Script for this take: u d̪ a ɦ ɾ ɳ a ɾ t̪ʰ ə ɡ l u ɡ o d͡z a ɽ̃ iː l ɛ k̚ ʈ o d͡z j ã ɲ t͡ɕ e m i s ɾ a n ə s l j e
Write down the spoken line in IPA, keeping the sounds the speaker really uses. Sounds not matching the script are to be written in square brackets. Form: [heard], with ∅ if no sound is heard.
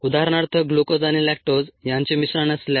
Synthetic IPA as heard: u d̪ a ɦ ɾ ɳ a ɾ t̪ʰ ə ɡ l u [k] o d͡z a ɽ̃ [i] l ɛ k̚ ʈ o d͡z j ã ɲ t͡ɕ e m i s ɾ a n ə s l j [a]